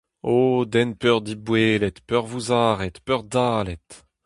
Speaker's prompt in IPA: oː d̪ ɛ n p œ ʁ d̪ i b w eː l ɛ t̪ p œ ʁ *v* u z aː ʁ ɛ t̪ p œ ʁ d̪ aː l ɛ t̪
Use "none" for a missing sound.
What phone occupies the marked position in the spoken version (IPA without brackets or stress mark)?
v